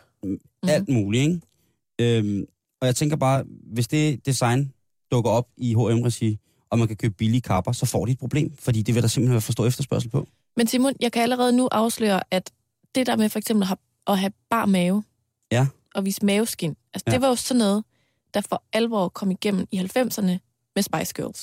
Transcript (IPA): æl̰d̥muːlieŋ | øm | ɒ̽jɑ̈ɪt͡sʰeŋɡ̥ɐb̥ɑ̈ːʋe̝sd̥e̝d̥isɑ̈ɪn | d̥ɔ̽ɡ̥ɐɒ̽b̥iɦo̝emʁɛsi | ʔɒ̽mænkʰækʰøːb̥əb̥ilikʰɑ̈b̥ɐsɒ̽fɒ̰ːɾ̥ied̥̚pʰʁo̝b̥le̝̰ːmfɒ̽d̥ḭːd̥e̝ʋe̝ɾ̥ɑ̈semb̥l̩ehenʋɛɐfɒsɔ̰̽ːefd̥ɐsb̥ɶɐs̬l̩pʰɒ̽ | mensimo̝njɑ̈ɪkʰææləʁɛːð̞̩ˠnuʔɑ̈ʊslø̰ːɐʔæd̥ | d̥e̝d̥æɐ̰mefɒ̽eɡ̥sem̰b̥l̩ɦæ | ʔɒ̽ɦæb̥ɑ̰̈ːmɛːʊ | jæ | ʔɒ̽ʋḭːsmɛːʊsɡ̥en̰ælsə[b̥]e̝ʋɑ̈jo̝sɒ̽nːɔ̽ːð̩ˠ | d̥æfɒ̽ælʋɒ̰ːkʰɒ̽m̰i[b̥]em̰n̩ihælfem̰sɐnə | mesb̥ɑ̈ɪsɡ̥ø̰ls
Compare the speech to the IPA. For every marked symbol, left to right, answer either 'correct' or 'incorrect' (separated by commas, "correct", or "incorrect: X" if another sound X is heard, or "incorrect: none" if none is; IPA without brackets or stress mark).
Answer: incorrect: d̥, incorrect: ɡ̥